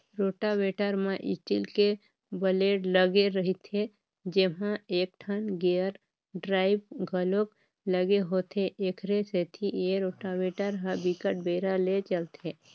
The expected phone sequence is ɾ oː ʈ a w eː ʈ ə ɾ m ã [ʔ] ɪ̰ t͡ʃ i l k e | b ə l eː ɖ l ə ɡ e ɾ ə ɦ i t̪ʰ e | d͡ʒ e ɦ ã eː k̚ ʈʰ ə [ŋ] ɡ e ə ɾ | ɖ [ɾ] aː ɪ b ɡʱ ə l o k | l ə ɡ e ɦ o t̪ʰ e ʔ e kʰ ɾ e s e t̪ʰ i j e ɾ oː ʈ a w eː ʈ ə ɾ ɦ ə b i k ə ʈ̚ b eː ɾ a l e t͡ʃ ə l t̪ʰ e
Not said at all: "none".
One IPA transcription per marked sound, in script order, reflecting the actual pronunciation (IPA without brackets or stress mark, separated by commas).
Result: ʔ, n, ɾ